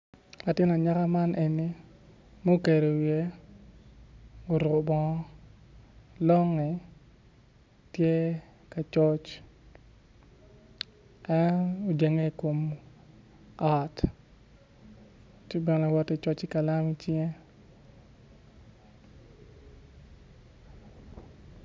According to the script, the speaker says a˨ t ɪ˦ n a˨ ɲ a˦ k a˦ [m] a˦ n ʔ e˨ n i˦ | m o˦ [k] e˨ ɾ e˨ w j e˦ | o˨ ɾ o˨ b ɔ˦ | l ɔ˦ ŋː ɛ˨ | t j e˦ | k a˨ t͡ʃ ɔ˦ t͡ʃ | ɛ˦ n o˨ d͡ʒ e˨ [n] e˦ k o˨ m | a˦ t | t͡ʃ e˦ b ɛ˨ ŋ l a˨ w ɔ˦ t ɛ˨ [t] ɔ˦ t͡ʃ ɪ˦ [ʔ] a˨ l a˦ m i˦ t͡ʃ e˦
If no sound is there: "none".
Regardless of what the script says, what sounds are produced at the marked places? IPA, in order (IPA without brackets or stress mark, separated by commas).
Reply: m, k, ŋ, t͡ʃ, k